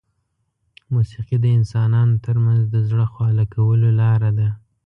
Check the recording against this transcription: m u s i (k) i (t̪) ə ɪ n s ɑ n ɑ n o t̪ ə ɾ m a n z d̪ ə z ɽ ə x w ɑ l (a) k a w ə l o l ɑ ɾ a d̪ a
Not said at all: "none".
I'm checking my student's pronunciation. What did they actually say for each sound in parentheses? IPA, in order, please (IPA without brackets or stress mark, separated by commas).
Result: q, d̪, a